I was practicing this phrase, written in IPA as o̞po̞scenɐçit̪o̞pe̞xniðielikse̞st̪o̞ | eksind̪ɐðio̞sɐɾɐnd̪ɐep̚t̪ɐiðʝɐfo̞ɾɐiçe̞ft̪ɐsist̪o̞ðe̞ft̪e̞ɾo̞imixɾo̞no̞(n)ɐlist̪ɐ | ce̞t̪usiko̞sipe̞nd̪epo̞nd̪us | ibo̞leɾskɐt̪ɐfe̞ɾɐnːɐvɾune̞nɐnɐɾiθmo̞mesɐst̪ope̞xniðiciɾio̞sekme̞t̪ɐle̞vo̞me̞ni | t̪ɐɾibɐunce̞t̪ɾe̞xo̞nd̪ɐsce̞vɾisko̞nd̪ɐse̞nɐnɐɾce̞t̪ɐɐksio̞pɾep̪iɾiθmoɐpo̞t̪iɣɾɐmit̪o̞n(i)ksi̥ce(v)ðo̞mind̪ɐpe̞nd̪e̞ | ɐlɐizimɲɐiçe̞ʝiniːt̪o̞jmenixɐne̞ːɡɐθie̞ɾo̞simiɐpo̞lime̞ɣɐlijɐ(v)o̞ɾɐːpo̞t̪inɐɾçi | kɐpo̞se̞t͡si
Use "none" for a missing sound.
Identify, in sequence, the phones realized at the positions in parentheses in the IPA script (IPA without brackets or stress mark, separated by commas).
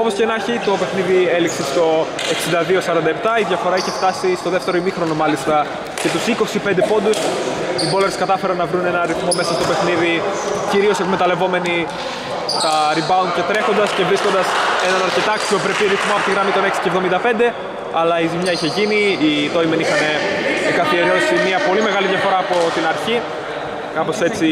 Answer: m, e, v, f